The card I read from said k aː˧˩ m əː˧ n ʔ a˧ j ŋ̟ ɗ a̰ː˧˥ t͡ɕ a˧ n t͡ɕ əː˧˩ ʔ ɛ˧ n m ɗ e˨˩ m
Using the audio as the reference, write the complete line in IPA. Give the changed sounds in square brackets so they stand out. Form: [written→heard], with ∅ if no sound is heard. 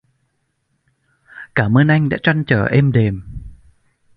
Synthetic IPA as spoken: k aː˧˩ m əː˧ n ʔ a˧ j ŋ̟ ɗ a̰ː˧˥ t͡ɕ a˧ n t͡ɕ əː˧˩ ʔ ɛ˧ [n→∅] m ɗ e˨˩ m